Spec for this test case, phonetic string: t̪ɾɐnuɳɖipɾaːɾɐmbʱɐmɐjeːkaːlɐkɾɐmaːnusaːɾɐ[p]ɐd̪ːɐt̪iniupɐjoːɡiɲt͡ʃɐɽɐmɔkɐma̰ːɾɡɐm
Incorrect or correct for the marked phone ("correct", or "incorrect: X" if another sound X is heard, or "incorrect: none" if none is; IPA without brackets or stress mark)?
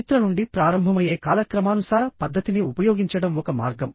correct